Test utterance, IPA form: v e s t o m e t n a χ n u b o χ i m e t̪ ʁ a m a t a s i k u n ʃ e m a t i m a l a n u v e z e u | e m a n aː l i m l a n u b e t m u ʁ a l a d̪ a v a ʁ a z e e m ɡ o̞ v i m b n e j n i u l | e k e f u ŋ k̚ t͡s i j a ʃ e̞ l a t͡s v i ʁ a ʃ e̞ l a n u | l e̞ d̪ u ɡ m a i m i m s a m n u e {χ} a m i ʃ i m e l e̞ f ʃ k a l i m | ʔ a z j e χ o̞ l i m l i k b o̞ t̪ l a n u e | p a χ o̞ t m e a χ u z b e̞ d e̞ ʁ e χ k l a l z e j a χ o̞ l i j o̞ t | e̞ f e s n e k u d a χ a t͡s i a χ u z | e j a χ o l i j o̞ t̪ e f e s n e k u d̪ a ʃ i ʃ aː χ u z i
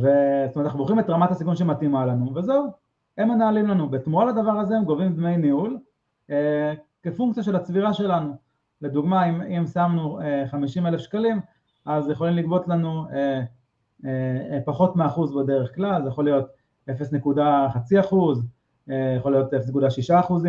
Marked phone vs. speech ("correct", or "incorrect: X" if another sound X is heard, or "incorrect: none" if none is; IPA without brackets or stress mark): correct